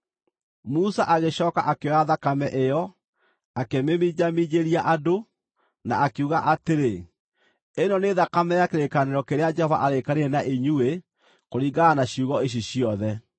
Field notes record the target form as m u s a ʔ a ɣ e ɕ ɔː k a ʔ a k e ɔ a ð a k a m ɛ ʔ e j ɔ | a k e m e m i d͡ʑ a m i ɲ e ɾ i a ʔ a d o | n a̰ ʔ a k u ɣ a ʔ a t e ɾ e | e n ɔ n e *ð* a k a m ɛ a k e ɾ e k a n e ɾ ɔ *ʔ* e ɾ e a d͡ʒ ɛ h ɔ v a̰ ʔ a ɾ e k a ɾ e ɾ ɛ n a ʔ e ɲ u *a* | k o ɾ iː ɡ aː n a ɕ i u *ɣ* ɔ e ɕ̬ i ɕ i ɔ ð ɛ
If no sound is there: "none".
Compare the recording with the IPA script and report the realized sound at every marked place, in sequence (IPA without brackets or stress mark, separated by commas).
ð, k, e, ɣ